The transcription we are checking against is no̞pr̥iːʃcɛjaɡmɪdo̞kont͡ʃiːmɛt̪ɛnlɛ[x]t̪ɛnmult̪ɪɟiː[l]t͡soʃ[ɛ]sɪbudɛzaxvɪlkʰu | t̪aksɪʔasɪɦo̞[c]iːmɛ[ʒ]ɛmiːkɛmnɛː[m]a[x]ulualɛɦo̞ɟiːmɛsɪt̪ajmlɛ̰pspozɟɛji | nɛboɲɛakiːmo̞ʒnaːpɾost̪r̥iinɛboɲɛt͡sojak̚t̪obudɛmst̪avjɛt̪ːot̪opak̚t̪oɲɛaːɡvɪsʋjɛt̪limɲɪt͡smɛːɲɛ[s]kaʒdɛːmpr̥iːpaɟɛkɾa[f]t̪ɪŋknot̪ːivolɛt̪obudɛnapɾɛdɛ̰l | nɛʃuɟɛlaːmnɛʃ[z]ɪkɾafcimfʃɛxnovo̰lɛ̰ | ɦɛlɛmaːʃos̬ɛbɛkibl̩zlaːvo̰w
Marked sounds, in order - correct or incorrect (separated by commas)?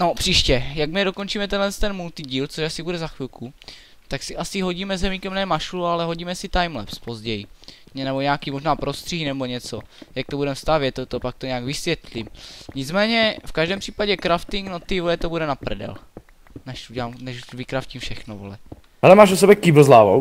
incorrect, correct, incorrect, incorrect, incorrect, correct, incorrect, incorrect, correct, incorrect